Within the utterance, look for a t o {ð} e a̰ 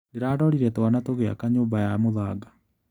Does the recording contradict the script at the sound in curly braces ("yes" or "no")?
yes